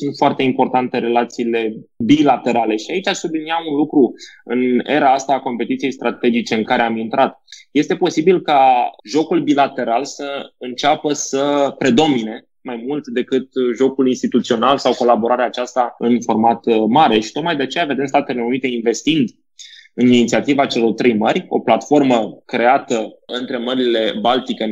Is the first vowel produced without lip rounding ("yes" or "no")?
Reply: no